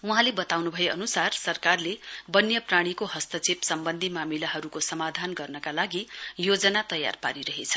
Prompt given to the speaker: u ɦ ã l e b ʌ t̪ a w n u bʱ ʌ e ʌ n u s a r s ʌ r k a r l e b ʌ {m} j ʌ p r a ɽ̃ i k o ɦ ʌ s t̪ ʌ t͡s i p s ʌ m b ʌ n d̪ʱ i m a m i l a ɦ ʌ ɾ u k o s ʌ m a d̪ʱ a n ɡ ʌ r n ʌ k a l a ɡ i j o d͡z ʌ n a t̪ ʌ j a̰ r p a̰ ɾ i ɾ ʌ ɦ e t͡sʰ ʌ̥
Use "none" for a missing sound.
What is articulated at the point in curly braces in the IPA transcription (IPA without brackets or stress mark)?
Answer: n